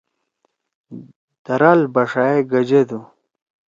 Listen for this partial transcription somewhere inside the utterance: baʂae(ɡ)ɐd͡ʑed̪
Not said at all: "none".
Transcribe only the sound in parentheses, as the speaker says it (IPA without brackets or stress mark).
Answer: ɡ